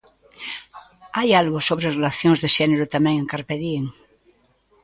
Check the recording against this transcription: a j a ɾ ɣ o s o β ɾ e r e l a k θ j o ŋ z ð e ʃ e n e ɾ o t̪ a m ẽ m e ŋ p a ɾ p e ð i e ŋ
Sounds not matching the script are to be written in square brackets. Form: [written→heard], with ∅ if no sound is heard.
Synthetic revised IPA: a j a [ɾ→l] ɣ o s o β ɾ e r e l a [k→∅] θ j o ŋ z ð e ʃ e n e ɾ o t̪ a m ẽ [m→ŋ] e ŋ [p→k] a ɾ p e ð i e ŋ